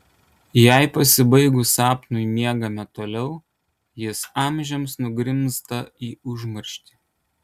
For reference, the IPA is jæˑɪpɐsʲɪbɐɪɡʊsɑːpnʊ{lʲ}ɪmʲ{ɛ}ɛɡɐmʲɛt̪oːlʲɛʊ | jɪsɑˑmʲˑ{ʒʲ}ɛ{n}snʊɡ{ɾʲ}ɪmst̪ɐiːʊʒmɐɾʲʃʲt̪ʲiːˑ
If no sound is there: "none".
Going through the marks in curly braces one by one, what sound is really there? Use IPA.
none, i, ʒʲ, m, ɾʲ

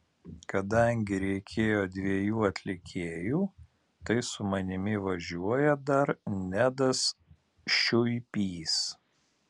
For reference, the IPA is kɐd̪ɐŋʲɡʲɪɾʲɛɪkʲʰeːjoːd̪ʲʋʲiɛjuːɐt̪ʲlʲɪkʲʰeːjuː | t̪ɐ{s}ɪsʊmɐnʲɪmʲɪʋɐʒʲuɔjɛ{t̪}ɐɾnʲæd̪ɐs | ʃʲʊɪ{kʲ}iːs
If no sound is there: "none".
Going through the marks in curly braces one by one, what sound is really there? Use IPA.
none, d̪, pʲ

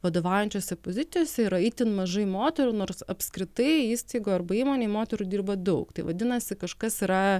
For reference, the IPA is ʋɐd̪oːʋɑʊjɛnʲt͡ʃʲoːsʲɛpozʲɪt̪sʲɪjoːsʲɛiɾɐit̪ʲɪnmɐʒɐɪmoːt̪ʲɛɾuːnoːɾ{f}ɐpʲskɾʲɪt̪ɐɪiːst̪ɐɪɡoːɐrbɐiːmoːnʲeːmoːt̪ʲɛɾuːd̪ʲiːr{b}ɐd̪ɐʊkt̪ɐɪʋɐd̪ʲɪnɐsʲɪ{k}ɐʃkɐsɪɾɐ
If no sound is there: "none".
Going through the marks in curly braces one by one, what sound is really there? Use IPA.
s, b, k

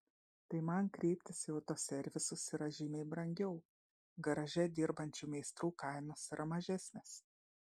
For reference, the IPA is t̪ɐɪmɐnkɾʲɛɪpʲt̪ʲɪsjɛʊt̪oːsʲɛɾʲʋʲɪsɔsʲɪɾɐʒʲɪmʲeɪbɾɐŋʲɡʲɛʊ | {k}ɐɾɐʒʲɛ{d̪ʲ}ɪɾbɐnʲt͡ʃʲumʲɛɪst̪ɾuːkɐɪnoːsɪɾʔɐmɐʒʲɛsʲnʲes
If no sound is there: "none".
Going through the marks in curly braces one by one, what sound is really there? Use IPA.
ɡ, d̪ʲ

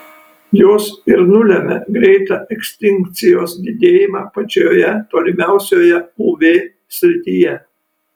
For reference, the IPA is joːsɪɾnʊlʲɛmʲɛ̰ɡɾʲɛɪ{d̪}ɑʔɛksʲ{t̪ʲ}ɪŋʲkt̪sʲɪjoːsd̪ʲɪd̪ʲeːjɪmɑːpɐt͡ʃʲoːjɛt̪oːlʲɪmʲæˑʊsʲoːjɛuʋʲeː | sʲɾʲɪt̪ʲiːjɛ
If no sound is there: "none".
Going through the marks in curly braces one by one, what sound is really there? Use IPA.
t̪, t̪ʲ

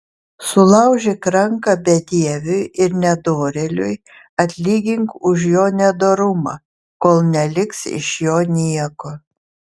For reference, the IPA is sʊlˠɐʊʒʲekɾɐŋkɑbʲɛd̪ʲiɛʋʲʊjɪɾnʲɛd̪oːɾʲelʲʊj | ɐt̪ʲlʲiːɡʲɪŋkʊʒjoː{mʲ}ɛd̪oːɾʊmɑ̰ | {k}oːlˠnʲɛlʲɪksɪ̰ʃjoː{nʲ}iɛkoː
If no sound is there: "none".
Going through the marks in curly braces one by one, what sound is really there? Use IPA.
nʲ, k, nʲ

